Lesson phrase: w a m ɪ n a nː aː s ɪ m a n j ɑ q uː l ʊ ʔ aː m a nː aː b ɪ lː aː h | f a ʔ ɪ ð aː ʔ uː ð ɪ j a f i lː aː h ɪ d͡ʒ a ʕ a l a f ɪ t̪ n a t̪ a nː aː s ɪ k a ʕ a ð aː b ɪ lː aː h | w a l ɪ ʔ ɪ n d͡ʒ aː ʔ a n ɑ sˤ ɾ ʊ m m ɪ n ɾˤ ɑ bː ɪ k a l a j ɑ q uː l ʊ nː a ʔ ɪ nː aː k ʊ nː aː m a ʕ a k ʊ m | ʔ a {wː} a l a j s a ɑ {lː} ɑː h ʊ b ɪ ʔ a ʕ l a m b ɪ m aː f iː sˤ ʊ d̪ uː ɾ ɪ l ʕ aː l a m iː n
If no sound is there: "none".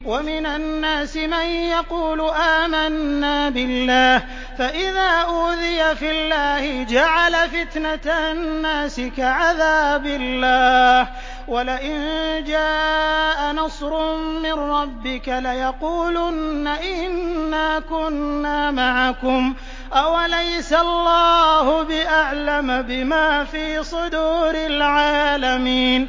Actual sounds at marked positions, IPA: w, lː

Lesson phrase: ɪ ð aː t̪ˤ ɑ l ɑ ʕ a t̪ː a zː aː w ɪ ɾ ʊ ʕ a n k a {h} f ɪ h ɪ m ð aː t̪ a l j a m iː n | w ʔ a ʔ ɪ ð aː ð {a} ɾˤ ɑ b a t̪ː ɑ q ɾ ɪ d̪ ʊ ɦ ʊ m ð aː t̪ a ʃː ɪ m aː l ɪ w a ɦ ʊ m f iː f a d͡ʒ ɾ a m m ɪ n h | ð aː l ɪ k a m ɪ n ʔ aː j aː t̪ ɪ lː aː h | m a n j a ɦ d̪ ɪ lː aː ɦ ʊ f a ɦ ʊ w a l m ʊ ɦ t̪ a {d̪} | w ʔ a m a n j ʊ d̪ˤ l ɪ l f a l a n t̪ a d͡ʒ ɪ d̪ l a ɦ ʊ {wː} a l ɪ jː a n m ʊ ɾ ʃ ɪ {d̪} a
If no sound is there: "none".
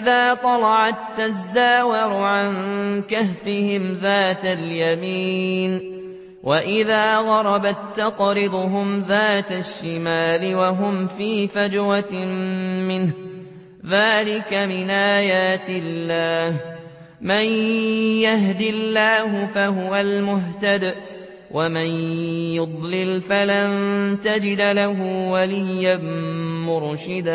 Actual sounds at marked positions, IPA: h, ɑ, d̪, w, d̪

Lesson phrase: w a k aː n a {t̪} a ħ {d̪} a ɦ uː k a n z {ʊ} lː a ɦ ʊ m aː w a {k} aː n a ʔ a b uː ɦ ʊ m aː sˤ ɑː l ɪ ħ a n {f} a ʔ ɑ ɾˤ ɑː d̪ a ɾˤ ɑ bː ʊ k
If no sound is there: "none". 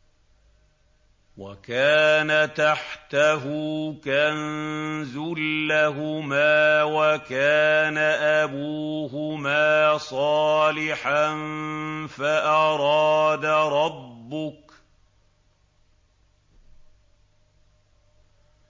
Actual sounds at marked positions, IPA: t̪, t̪, ʊ, k, f

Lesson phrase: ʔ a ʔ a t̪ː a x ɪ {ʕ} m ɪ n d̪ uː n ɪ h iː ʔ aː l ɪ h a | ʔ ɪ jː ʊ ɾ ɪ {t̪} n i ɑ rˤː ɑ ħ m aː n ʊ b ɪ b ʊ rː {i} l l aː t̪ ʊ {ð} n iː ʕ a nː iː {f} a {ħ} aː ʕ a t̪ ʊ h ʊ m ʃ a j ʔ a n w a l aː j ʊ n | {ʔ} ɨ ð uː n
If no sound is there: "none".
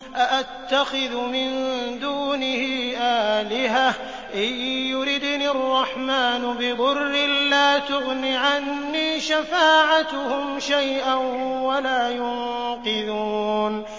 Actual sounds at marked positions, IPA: ð, d̪, ɪ, ɣ, ʃ, f, q

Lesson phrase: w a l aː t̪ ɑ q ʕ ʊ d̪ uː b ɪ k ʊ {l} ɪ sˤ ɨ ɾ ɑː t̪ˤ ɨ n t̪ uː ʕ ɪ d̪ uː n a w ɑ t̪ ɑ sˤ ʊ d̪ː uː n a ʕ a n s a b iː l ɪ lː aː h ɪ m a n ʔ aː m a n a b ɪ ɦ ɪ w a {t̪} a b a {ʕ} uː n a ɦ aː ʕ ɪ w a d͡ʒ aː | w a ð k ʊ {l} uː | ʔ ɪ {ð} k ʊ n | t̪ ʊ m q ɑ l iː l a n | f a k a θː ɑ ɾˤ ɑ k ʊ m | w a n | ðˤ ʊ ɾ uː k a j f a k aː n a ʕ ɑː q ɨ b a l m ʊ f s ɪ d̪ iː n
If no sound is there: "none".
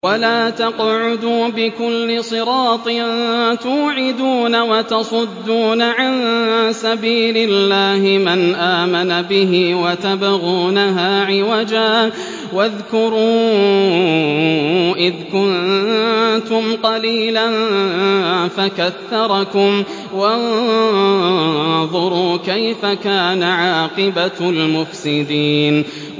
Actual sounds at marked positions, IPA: lː, t̪, ɣ, ɾ, ð

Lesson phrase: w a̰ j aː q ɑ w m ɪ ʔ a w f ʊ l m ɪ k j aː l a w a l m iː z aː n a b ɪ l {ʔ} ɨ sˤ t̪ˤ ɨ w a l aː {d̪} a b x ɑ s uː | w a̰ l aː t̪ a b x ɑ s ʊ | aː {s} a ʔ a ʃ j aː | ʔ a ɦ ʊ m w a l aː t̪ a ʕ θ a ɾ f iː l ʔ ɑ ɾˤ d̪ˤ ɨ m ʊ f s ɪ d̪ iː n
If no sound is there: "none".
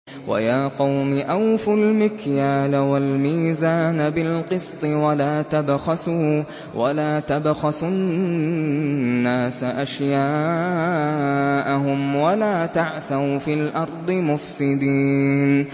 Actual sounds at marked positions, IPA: q, t̪, s

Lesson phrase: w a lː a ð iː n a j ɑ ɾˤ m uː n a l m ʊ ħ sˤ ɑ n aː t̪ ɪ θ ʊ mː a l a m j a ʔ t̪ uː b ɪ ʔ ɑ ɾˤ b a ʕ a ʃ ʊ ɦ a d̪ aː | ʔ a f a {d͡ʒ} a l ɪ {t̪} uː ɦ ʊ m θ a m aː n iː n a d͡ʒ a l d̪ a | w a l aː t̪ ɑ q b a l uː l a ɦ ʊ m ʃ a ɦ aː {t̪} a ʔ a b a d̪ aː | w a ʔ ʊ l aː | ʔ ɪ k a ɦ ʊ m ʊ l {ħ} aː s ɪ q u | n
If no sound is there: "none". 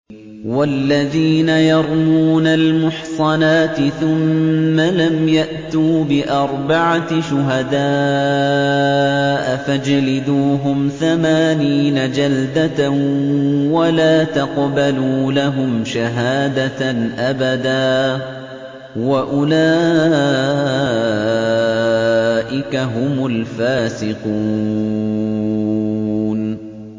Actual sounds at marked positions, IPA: d͡ʒ, d̪, d̪, f

